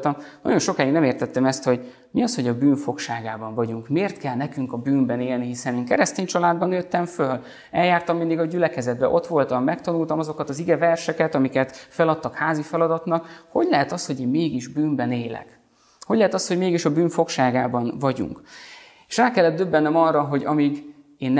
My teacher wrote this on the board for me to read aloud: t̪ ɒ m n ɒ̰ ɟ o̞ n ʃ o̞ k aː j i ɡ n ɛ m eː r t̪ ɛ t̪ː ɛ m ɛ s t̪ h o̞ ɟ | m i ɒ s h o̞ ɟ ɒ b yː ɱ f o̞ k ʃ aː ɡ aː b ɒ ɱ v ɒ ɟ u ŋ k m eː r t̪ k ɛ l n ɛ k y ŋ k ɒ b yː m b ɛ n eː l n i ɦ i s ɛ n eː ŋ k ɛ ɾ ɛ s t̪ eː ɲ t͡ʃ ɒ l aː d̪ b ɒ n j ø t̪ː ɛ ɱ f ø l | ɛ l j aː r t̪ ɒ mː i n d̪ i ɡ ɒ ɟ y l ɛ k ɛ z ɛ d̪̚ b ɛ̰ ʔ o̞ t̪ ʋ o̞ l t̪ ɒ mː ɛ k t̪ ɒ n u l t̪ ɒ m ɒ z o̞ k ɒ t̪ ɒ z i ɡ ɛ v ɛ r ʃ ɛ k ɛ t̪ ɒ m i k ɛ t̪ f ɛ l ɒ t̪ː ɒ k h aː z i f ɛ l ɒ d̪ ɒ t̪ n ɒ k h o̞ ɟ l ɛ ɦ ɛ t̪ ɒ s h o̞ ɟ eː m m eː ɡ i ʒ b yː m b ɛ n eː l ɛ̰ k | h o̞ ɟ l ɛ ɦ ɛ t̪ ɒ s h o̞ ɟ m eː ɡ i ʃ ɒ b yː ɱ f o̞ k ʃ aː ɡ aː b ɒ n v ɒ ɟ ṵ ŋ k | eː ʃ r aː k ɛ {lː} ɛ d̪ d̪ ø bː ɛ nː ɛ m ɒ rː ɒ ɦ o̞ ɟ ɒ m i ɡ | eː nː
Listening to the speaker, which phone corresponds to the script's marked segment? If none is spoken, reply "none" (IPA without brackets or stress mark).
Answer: lː